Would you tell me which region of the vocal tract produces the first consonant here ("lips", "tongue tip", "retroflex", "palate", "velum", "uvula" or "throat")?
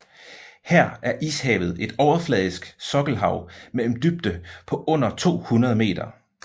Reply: throat